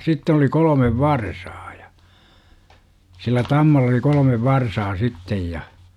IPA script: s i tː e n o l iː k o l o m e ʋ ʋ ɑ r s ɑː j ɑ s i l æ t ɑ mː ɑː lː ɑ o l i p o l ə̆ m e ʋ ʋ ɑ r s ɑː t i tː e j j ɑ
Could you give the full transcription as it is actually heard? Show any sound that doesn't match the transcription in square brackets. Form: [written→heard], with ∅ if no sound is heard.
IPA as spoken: s i tː e n o l [iː→i] k o l o m e ʋ ʋ ɑ r s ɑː j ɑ s i [l→lː] æ t ɑ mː [ɑː→ɑ] lː ɑ o l i [p→k] o l ə̆ m e ʋ ʋ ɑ r s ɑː [t→s] i tː e j j ɑ